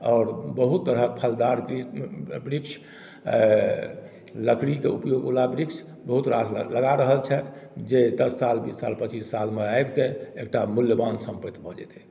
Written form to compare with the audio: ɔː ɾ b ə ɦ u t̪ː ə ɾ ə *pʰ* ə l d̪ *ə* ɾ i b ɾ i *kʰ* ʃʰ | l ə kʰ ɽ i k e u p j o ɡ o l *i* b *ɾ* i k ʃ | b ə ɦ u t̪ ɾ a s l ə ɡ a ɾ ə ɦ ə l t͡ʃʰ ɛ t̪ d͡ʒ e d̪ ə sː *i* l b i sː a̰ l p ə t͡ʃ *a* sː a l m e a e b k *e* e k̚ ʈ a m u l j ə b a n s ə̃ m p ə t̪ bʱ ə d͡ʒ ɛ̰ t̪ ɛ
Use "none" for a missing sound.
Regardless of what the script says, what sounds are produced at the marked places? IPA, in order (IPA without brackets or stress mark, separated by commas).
pʰ, a, k, a, ɾ, a, i, e